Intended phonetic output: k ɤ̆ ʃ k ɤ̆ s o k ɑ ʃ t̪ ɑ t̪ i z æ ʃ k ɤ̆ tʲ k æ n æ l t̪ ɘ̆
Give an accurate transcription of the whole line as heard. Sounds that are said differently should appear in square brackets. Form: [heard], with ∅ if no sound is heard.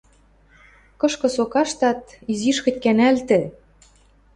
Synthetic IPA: k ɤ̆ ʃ k ɤ̆ s o k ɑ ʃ t̪ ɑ t̪ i z [i] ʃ k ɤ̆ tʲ k æ n æ l t̪ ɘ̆